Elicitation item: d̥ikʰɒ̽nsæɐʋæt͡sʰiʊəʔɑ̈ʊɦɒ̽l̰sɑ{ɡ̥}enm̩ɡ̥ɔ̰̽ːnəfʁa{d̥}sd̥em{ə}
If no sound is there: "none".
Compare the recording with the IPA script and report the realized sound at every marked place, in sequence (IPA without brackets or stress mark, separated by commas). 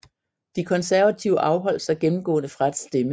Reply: ɡ̥, d̥, ə